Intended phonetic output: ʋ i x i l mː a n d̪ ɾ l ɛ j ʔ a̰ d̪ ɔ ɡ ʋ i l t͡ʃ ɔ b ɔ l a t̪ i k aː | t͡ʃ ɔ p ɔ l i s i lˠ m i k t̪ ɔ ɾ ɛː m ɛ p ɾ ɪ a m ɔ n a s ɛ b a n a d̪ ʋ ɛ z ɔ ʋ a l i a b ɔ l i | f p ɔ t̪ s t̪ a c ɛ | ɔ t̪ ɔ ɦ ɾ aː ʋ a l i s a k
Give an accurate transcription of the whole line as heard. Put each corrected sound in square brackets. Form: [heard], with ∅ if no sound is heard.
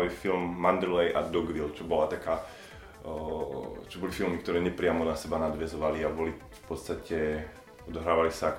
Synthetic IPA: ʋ i [f] i l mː a n d̪ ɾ l ɛ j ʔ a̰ d̪ ɔ ɡ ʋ i l t͡ʃ ɔ b ɔ l a t̪ [a] k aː | t͡ʃ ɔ [b] ɔ l i [f] i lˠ m i k t̪ ɔ ɾ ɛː [ɲ] ɛ p ɾ ɪ a m ɔ n a s ɛ b a n a d̪ ʋ ɛ z ɔ ʋ a l i a b ɔ l i | f p ɔ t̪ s t̪ a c ɛ | ɔ [d̪] ɔ ɦ ɾ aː ʋ a l i s a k